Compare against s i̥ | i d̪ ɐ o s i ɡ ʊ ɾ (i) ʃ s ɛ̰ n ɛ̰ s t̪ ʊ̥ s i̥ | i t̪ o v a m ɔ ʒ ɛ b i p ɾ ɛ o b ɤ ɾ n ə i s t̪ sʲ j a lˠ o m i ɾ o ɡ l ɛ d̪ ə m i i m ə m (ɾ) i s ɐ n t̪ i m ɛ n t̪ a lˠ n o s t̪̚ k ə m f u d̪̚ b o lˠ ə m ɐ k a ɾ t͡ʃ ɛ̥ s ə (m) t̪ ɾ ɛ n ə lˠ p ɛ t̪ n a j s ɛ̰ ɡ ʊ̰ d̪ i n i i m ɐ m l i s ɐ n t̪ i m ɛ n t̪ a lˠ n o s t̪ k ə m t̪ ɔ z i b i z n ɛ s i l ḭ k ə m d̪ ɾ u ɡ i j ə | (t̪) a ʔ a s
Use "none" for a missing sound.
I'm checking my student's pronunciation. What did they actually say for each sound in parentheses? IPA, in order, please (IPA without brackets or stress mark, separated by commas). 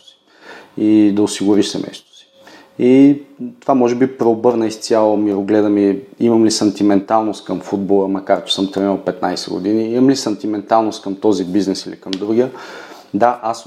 i, l, m, d̪